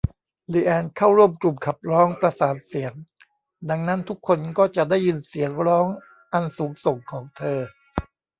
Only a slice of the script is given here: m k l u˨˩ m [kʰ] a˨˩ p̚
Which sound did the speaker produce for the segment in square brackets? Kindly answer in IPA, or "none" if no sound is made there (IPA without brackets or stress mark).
kʰ